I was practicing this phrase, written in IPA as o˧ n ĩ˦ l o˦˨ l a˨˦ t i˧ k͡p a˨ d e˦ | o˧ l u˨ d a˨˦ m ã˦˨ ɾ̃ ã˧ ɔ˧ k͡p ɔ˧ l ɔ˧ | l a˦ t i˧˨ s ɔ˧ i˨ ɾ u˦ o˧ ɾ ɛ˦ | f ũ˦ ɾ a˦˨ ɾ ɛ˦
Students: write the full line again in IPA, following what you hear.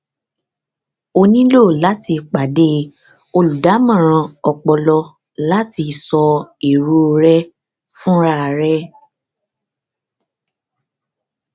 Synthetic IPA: o˧ n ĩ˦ l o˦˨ l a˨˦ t i˧ k͡p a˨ d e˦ | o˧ l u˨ d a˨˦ m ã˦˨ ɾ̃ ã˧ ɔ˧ k͡p ɔ˧ l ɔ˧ | l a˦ t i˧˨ s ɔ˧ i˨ ɾ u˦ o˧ ɾ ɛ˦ | f ũ˦ ɾ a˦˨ ɾ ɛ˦